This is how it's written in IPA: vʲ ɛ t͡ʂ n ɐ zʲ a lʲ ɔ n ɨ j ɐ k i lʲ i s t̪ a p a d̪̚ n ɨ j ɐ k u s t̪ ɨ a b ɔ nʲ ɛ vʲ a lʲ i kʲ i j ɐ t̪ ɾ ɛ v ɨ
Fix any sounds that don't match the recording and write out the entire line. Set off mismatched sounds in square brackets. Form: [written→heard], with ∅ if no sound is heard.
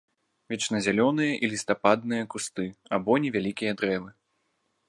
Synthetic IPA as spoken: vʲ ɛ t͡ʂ n ɐ zʲ a lʲ ɔ n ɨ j ɐ [k→ʔ] i lʲ i s t̪ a p a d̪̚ n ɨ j ɐ k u s t̪ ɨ a b ɔ nʲ ɛ vʲ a lʲ i kʲ i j ɐ [t̪→d̪] ɾ ɛ v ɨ